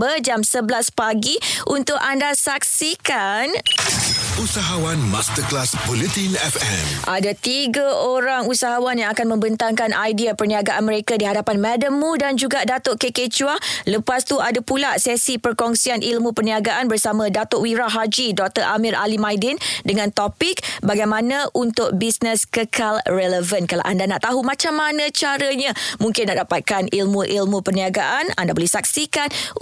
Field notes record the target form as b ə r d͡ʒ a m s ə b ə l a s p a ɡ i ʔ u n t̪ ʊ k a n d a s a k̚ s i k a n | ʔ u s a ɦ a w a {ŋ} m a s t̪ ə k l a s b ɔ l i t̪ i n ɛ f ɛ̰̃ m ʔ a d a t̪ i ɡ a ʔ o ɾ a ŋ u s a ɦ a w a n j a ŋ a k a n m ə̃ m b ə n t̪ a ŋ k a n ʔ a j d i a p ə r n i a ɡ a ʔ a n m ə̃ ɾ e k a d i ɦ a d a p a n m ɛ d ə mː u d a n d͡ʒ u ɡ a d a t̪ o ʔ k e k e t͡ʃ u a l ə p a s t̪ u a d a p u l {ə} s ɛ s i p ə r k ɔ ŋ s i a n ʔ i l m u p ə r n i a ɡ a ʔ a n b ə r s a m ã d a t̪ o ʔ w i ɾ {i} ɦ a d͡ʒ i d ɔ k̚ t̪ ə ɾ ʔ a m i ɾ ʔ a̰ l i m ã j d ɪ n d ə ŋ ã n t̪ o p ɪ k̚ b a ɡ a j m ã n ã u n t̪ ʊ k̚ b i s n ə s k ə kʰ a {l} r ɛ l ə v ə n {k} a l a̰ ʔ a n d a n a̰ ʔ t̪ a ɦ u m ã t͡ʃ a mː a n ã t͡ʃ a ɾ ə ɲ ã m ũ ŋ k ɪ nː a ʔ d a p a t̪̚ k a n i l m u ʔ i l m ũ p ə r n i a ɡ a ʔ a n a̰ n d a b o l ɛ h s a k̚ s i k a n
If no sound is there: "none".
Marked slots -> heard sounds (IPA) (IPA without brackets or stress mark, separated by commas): n, a, a, l, k